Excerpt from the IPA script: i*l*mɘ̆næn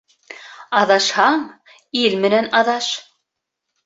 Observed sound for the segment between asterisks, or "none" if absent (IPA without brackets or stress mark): l